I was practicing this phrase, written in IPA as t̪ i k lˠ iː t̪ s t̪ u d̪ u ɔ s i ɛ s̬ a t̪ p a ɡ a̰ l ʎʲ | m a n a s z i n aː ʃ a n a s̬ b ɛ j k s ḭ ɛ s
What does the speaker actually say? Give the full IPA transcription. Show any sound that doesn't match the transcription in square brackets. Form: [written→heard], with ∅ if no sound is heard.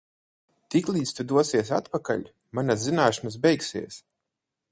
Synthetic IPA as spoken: t̪ i k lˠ iː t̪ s t̪ u d̪ u ɔ s i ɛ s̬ a t̪ p a [ɡ→k] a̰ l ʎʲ | m a n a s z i n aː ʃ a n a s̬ b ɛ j k s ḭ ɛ s